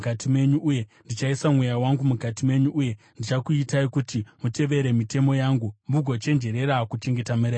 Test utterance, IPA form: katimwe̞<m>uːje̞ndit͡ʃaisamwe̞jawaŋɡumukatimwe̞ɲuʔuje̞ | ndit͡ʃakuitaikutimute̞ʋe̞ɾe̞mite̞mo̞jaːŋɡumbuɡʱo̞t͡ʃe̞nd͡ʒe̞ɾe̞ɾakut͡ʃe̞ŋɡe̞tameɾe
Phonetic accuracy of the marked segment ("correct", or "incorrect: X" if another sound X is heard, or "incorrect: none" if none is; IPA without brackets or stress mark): incorrect: ɲ